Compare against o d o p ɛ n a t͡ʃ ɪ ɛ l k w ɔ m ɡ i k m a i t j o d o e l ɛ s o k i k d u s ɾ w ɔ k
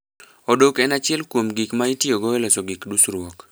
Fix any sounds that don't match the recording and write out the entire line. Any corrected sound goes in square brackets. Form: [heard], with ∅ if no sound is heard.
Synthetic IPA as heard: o d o [k] ɛ n a t͡ʃ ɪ ɛ l k w [o] m ɡ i k m a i t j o [ɡ] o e l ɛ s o [ɡ] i k d u s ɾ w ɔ k